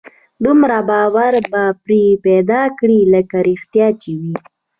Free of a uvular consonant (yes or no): yes